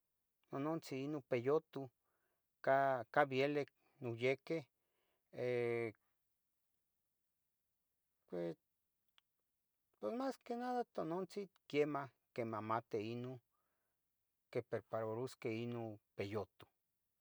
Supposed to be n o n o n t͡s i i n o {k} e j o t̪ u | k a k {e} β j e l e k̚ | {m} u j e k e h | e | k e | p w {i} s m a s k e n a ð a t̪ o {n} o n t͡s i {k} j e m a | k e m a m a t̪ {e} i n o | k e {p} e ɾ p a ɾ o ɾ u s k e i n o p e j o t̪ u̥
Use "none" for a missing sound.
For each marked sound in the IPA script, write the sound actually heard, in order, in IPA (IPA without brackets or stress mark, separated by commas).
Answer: p, a, n, e, n, k, e, p